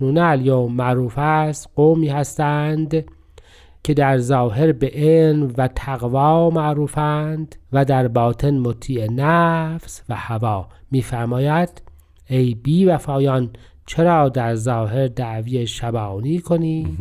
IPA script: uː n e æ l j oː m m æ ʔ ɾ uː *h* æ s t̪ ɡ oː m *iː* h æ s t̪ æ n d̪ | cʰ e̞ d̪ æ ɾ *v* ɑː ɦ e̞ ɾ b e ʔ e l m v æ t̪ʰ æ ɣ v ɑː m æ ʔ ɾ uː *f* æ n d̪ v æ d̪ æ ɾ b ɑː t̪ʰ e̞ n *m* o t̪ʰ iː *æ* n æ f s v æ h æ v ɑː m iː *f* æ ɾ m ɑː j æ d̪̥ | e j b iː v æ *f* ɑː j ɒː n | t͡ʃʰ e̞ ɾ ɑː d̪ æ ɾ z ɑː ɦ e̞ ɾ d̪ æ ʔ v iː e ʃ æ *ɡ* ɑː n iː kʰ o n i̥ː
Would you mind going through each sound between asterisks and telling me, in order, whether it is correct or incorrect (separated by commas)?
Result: incorrect, correct, incorrect, correct, correct, incorrect, correct, correct, incorrect